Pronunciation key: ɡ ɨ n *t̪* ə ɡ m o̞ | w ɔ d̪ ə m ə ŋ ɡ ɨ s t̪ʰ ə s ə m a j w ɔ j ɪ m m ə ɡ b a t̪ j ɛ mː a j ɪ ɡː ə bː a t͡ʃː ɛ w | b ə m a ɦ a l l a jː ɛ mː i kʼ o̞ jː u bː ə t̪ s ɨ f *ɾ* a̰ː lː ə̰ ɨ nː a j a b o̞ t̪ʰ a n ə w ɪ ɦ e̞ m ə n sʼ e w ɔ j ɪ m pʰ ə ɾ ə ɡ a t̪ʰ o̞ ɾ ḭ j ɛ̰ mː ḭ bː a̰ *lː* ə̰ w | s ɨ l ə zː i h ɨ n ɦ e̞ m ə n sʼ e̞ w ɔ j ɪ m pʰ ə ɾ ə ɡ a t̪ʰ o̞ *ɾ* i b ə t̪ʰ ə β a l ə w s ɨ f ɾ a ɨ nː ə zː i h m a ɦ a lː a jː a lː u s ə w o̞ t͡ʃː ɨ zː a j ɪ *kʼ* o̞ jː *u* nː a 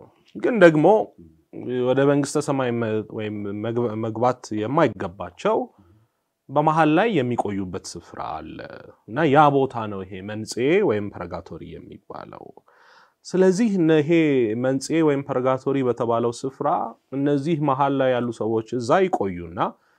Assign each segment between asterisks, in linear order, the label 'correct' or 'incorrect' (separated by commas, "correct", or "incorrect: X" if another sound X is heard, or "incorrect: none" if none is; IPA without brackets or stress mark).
incorrect: d̪, correct, incorrect: l, correct, correct, correct